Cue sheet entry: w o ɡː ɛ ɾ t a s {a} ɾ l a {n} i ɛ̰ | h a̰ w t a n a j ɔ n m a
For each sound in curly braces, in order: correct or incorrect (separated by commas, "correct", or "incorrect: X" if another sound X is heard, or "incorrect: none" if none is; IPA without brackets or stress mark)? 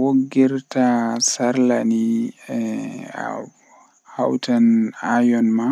correct, correct